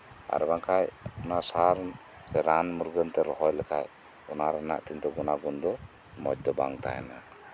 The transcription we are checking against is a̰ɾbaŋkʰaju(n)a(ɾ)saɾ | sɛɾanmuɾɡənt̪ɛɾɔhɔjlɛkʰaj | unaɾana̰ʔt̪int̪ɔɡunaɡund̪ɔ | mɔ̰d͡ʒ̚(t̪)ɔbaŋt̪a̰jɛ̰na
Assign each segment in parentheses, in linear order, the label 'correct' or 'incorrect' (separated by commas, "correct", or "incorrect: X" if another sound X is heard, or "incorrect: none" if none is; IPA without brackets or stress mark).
correct, incorrect: none, incorrect: d̪